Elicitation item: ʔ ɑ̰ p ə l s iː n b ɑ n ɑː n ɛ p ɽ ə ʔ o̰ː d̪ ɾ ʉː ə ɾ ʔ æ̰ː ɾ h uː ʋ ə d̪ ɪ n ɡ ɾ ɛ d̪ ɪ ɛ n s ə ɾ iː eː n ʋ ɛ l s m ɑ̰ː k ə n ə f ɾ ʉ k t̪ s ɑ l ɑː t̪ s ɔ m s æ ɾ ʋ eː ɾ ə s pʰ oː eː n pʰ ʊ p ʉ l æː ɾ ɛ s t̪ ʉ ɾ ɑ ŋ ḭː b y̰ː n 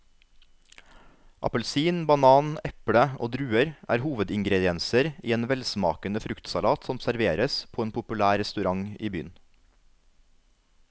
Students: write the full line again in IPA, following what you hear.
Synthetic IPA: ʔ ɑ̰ p ə l s iː n b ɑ n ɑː n ɛ p ɽ ə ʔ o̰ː d̪ ɾ ʉː ə ɾ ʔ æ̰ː ɾ h uː ʋ ə d̪ ɪ ŋ ɡ ɾ ɛ d̪ ɪ ɛ n s ə ɾ iː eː n ʋ ɛ l s m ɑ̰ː k ə n ə f ɾ ʉ k t̪ s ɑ l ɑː t̪ s ɔ m s æ ɾ ʋ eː ɾ ə s pʰ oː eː n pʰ ʊ p ʉ l æː ɾ ɛ s t̪ ʉ ɾ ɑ ŋ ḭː b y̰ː n